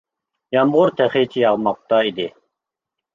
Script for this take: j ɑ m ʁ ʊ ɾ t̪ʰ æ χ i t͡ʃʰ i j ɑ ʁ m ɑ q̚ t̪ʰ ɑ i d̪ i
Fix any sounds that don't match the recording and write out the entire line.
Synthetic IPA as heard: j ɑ m ʁ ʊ ɾ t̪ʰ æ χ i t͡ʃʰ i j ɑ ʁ m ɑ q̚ t̪ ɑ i d̪ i